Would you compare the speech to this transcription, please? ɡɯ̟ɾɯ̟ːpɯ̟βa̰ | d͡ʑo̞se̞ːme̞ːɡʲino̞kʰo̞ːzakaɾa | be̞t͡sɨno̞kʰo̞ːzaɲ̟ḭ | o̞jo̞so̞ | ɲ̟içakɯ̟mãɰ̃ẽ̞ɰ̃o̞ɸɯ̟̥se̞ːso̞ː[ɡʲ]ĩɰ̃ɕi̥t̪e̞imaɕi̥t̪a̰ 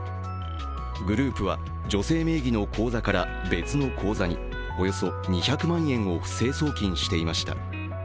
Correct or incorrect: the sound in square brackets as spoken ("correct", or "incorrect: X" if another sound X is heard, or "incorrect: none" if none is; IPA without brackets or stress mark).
incorrect: kʲ